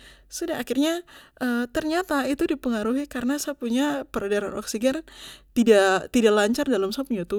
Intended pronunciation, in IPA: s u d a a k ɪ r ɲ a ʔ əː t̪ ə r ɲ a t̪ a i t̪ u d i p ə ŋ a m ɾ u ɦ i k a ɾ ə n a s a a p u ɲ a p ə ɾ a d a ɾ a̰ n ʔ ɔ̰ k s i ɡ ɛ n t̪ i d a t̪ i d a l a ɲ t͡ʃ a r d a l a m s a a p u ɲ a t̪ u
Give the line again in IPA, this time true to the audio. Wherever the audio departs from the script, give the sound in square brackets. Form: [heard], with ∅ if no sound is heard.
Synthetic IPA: s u d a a k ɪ r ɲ a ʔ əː t̪ ə r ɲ a t̪ a i t̪ u d i p ə ŋ a [∅] ɾ u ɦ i k a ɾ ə n a s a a p u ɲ a p ə ɾ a d a ɾ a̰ n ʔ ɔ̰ k s i ɡ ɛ n t̪ i d a t̪ i d a l a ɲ t͡ʃ a r d a l a m s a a p u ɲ a t̪ u